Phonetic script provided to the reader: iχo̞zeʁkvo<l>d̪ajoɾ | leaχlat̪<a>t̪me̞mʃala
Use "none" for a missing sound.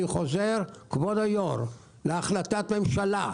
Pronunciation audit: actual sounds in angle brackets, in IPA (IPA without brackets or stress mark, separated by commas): none, a